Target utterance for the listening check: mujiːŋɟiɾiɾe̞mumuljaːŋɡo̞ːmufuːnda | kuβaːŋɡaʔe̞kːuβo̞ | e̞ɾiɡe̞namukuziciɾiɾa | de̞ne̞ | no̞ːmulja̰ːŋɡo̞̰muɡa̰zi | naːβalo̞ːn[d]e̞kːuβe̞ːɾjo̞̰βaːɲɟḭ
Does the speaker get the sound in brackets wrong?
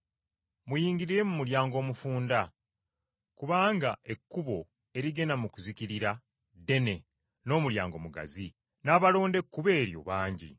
no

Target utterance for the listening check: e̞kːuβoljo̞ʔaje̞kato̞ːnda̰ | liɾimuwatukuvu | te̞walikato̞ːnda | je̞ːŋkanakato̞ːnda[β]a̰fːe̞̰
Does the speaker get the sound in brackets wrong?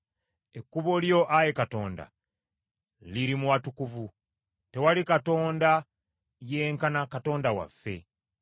yes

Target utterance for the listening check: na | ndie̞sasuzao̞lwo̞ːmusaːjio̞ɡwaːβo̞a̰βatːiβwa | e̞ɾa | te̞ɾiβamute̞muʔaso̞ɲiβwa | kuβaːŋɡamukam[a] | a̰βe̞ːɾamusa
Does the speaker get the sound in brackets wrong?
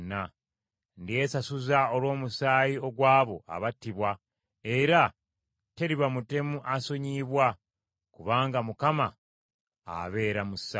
no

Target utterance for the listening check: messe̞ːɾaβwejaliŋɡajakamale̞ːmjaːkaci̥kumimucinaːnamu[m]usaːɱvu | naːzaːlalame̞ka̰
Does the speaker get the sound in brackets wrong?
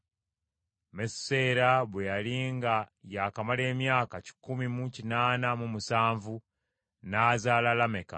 no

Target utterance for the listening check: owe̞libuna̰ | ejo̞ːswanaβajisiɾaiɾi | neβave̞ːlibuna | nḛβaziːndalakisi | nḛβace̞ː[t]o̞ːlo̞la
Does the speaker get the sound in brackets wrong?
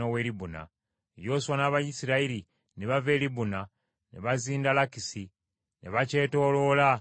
no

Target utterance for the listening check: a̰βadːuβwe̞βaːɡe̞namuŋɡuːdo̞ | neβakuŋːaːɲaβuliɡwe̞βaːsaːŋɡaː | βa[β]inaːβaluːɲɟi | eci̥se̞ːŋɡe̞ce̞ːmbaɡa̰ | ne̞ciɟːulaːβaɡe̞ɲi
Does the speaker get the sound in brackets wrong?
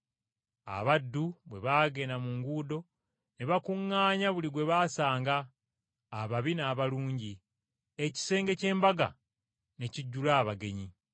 no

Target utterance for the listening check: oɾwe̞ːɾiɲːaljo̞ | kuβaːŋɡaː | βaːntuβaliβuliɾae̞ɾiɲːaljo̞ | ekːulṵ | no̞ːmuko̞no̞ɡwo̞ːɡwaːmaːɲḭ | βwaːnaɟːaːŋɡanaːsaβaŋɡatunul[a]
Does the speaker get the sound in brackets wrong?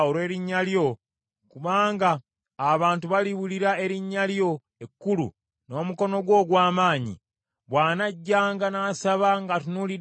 yes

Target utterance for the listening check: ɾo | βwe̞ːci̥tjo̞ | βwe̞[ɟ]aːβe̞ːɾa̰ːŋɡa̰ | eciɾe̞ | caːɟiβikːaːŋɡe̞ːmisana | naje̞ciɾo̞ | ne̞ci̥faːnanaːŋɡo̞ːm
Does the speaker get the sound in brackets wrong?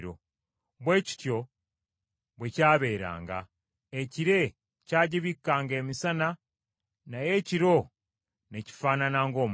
yes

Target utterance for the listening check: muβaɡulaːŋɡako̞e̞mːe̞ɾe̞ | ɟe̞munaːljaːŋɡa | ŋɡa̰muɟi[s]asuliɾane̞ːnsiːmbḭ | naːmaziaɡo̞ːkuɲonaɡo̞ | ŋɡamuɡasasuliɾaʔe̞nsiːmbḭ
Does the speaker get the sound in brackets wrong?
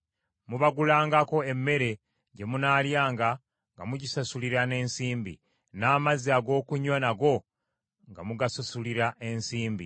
no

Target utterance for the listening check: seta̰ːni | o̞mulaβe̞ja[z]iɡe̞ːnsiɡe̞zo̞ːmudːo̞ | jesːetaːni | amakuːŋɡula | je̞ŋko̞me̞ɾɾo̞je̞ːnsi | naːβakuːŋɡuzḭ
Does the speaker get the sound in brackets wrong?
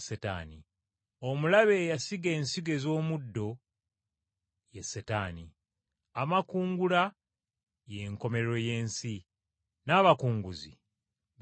yes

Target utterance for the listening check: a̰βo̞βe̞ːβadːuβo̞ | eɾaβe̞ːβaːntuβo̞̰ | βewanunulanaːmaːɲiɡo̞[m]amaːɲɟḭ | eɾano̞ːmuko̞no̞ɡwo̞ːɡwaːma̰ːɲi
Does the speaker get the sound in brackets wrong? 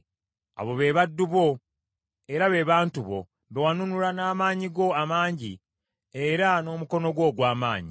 yes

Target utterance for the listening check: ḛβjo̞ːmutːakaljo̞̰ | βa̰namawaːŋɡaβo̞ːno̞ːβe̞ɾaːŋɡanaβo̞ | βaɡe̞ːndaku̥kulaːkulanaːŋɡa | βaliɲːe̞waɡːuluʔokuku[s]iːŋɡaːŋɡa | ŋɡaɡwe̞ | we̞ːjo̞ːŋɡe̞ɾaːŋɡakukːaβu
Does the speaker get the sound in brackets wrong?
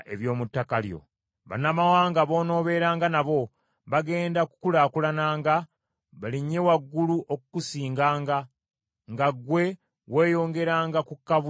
no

